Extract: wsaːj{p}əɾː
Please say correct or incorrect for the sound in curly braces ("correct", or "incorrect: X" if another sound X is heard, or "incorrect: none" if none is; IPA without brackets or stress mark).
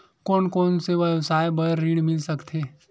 incorrect: b